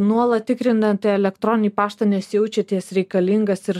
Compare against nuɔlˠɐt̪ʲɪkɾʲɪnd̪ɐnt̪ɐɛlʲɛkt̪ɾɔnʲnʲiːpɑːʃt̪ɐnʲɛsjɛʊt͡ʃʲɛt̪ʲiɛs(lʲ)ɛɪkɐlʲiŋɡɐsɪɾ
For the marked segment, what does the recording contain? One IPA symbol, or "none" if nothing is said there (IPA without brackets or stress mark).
ɾʲ